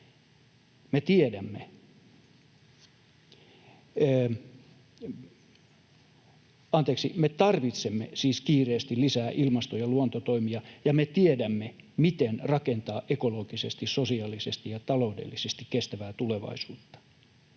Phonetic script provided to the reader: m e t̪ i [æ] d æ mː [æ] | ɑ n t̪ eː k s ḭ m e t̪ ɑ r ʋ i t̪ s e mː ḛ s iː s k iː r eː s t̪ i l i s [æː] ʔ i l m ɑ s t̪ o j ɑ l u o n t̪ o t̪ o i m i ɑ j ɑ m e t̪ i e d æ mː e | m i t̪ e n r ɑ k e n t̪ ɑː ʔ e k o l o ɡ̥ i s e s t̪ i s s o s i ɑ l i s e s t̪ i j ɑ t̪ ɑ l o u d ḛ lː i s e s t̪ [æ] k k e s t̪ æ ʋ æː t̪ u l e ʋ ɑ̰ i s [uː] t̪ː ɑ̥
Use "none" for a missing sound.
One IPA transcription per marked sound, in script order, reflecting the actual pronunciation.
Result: e, e, æː, i, uː

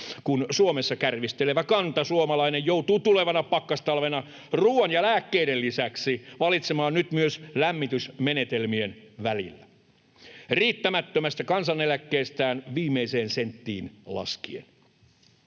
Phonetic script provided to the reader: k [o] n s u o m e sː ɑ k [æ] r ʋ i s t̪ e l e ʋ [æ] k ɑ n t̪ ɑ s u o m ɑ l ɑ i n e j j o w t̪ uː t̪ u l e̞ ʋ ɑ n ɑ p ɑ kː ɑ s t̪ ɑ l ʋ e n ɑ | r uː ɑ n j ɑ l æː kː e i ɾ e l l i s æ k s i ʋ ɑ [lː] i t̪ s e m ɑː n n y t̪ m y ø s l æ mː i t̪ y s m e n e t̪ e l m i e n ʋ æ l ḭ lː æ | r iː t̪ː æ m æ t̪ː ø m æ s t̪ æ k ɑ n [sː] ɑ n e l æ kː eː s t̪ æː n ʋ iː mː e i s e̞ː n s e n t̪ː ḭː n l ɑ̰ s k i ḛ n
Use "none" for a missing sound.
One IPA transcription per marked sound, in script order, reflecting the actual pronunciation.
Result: u, æ, æ, l, s

